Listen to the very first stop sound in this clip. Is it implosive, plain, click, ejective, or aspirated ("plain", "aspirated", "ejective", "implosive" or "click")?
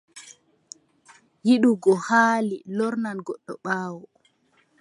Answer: implosive